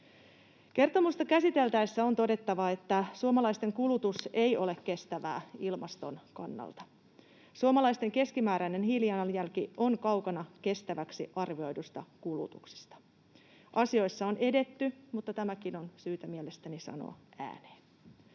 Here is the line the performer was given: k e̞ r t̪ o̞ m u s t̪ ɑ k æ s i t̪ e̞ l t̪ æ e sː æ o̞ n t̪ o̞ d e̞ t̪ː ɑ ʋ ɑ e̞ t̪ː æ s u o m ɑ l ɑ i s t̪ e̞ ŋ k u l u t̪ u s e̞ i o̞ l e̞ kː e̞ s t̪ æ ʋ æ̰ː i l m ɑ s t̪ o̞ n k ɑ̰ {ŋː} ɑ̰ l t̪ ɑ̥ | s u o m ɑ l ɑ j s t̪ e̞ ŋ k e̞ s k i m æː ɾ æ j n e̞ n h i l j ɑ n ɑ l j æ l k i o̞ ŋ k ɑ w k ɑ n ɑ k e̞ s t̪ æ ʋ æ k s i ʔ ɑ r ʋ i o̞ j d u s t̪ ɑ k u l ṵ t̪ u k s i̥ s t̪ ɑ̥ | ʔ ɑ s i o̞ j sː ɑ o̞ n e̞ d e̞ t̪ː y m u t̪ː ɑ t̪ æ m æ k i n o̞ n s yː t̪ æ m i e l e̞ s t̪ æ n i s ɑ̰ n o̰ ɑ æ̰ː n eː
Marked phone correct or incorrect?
incorrect: nː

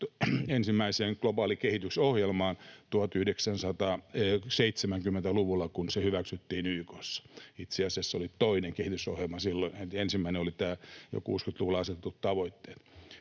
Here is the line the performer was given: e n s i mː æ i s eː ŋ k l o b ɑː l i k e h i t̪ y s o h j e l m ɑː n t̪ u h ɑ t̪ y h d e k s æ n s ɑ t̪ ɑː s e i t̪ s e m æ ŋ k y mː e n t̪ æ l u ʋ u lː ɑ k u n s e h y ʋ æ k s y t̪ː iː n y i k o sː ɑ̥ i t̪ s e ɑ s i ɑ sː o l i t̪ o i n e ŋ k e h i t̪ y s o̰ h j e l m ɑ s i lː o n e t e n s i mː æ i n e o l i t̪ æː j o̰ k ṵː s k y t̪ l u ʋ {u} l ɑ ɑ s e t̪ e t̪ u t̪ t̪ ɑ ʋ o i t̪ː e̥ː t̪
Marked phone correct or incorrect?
correct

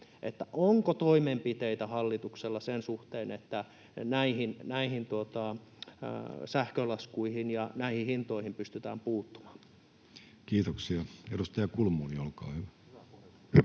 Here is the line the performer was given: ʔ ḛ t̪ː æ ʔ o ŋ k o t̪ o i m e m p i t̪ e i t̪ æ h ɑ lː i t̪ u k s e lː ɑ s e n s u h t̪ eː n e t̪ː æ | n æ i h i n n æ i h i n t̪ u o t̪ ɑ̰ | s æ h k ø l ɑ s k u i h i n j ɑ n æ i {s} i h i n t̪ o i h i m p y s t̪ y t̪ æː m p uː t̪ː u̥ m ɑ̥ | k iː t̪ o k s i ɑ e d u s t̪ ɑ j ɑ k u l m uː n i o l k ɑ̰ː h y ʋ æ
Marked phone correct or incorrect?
incorrect: h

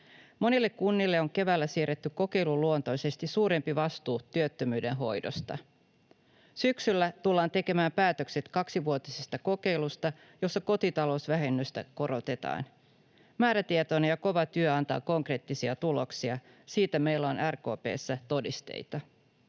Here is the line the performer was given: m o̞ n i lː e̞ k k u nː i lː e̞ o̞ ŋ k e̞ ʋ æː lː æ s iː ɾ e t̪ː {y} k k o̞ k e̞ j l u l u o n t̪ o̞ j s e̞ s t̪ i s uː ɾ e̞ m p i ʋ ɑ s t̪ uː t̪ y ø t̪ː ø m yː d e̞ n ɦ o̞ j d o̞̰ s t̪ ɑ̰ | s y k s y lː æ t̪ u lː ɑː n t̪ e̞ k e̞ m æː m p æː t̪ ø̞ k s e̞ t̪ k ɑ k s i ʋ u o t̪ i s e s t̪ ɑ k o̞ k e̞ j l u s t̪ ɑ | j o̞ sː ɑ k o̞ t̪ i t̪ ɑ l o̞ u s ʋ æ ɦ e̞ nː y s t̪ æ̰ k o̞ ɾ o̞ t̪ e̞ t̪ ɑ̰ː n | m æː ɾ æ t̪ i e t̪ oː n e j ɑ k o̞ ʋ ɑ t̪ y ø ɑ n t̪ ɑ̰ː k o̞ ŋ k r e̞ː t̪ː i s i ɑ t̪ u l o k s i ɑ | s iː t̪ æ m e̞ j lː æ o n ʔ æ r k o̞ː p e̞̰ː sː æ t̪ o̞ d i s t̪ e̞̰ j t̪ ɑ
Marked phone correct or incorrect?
correct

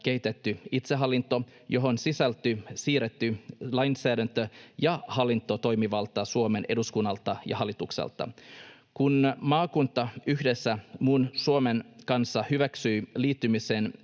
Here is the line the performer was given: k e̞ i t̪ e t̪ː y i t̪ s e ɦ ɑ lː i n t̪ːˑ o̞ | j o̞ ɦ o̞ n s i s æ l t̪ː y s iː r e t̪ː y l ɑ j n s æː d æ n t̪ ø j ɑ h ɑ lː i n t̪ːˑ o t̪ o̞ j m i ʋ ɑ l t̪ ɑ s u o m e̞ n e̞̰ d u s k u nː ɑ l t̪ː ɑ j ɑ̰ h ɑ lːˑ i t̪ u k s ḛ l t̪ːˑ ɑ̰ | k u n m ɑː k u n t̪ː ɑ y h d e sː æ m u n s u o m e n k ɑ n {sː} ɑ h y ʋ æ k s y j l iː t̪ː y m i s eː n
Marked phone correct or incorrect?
correct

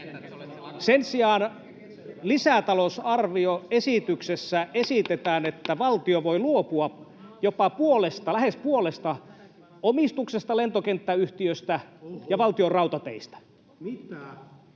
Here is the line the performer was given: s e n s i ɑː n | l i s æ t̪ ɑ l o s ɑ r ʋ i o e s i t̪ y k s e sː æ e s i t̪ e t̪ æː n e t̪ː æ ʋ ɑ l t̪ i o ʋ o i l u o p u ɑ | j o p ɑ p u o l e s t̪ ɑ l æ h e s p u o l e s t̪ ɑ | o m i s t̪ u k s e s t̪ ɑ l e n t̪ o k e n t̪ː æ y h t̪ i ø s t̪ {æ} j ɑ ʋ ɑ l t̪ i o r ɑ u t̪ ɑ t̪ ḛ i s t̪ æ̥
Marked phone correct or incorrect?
correct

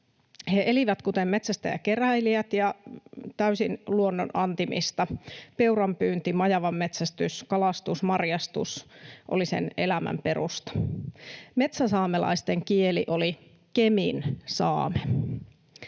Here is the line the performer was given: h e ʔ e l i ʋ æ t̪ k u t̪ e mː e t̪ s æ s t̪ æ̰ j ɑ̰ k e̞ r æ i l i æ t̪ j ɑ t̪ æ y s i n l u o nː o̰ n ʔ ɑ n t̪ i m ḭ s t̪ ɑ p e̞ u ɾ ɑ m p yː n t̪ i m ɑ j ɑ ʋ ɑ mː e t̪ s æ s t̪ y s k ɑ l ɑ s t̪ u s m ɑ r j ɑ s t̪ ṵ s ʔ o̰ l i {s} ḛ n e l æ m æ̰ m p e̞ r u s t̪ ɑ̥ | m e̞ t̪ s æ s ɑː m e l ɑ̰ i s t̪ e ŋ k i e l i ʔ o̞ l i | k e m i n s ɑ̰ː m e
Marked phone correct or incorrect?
correct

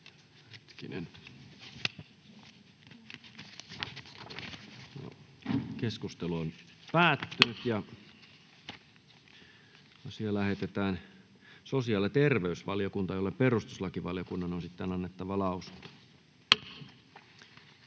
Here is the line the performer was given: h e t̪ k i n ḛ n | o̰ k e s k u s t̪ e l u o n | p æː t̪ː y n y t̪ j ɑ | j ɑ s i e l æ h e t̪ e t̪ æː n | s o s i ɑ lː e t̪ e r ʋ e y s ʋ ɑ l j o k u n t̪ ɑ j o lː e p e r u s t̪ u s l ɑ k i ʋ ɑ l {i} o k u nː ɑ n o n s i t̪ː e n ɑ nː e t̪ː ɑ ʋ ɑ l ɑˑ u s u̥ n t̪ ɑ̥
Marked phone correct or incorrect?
incorrect: j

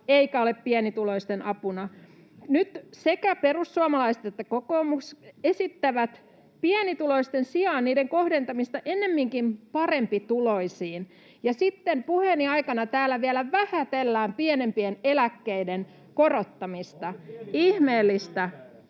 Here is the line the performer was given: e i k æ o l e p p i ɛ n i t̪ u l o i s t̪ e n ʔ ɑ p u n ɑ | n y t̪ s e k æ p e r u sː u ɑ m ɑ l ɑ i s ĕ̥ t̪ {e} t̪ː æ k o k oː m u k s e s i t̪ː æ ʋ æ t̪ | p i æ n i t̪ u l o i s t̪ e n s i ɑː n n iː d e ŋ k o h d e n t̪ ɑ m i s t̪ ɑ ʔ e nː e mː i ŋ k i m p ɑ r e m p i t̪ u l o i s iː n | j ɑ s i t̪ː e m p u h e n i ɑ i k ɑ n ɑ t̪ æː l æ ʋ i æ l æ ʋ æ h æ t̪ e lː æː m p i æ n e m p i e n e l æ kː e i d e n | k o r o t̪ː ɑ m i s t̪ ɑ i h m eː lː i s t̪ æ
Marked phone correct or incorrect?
correct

